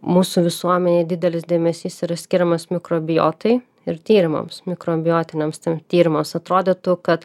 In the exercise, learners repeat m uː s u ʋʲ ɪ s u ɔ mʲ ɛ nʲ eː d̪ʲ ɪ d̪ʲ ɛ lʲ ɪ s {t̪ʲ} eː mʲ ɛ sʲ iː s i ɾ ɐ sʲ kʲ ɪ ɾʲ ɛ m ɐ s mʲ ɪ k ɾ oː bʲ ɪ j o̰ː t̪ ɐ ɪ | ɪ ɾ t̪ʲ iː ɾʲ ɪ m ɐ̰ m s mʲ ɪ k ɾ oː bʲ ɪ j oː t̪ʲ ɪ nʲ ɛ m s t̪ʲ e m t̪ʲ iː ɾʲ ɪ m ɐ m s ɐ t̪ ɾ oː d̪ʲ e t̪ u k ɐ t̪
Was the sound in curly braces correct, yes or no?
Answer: no